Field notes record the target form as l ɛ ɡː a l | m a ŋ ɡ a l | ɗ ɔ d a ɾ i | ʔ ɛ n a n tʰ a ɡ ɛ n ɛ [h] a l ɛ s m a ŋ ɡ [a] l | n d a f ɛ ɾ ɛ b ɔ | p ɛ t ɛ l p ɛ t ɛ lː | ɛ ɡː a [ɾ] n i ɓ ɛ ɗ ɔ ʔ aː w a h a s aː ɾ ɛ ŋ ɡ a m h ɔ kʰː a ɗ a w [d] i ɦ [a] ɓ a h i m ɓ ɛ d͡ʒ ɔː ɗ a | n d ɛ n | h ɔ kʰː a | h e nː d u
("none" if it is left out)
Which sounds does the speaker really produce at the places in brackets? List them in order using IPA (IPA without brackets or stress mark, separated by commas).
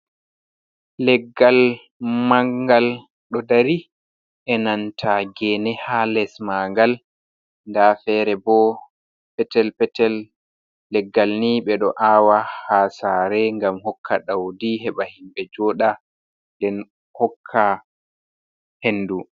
h, a, l, d, ɛ